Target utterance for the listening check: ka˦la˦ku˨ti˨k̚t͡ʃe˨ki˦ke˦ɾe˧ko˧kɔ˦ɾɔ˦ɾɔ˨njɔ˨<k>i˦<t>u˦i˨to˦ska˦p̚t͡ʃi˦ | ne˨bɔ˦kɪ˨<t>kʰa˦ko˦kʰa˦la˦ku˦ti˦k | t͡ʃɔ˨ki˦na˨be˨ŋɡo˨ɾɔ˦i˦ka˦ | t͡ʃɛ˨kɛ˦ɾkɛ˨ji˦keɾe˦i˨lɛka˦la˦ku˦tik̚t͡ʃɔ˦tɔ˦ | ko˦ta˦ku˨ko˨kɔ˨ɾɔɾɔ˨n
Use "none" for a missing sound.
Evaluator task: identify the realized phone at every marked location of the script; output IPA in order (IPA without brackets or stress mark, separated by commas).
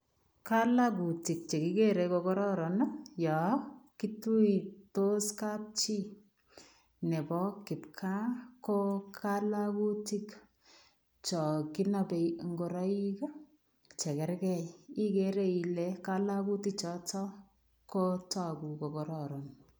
k, t, p